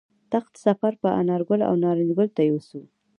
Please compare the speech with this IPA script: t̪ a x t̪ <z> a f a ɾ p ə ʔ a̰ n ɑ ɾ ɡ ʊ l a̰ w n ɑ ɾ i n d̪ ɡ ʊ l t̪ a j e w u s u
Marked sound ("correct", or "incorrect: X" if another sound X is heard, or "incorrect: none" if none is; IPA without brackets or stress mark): incorrect: s